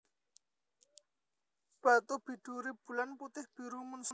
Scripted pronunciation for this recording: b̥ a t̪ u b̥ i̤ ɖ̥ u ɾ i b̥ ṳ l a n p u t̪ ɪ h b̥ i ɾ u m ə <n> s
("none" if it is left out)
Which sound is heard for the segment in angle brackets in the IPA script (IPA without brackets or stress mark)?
n